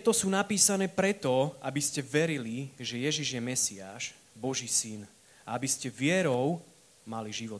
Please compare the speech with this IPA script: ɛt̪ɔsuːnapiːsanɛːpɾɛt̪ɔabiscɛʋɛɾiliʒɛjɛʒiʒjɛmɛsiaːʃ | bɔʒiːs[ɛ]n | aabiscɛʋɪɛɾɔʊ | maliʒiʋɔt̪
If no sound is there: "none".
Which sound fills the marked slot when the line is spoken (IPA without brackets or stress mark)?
i